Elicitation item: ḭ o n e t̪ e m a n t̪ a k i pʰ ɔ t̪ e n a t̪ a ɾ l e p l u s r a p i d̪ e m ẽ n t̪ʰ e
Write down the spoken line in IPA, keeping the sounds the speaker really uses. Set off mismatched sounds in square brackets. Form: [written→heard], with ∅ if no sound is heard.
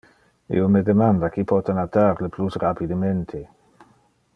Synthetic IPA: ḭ o [n→m] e [t̪→d̪] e m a n [t̪→d̪] a k i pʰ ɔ t̪ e n a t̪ a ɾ l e p l u s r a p i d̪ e m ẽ n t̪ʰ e